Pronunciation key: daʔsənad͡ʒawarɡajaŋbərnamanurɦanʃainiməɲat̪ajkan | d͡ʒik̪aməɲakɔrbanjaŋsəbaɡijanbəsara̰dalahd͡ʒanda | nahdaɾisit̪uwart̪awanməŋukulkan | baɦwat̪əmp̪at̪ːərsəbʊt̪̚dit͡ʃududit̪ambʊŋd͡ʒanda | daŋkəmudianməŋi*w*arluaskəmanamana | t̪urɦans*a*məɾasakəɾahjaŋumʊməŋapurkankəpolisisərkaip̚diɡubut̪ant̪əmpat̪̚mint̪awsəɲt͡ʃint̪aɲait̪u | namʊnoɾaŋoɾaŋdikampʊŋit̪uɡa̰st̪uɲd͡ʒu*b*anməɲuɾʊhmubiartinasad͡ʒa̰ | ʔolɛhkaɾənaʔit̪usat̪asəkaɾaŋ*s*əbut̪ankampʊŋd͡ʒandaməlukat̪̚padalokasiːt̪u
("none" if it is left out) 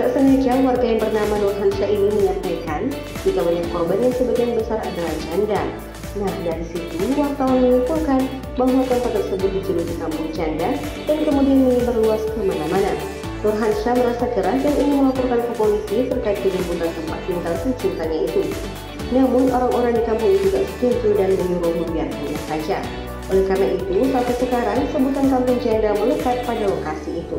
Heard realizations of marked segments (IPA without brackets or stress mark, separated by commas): b, a, d, s